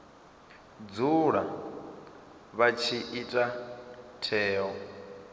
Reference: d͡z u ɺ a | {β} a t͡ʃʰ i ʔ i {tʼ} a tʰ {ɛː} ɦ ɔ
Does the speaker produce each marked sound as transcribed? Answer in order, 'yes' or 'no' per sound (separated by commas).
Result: yes, yes, yes